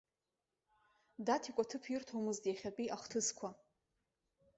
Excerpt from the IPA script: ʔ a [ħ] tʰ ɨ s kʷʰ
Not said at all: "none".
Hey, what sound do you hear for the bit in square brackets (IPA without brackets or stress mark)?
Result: χ